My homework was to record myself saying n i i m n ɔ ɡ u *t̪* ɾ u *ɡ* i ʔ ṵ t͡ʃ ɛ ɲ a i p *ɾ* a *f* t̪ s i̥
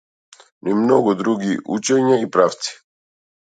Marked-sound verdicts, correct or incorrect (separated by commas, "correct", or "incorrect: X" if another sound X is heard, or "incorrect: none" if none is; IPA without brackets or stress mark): incorrect: d̪, correct, correct, correct